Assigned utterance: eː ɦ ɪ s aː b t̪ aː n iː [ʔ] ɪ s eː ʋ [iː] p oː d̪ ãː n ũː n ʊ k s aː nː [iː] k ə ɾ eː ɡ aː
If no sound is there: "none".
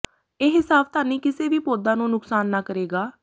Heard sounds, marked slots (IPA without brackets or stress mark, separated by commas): k, iː, aː